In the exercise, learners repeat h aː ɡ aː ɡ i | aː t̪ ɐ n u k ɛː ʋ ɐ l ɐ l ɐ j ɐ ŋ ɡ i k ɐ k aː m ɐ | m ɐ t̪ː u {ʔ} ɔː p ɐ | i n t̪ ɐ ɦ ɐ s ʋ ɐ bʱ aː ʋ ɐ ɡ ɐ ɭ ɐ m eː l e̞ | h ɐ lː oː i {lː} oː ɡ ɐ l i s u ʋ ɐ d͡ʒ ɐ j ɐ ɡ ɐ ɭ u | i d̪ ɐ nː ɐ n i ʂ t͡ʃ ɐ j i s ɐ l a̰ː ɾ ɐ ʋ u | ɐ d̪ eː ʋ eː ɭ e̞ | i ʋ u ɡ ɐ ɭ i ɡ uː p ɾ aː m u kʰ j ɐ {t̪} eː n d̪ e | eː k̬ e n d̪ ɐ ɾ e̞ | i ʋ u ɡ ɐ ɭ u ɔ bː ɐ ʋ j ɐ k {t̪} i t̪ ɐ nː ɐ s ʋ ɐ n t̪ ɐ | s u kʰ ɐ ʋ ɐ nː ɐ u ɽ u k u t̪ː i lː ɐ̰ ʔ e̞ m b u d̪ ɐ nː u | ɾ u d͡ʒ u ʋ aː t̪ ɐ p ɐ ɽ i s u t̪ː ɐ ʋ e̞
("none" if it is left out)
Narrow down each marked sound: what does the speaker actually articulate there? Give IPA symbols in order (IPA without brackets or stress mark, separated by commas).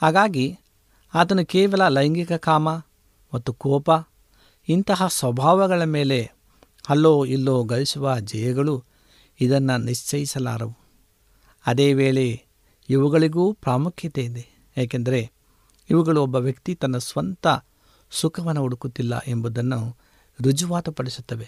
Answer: k, lː, t̪, t̪